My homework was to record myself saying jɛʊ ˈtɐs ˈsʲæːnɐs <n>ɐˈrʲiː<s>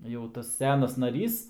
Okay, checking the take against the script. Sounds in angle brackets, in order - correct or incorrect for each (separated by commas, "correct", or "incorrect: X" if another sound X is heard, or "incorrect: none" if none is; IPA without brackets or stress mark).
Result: correct, correct